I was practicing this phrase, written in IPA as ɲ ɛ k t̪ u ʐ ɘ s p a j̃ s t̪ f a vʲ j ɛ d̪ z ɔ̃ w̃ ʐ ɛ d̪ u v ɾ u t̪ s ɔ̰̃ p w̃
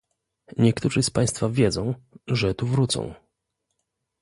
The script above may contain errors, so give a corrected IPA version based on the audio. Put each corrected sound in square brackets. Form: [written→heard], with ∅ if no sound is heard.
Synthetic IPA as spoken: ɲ ɛ k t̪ u ʐ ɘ s p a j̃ s t̪ f a vʲ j ɛ d̪ z ɔ̃ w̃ ʐ ɛ [d̪→t̪] u v ɾ u t̪ s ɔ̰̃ [p→∅] w̃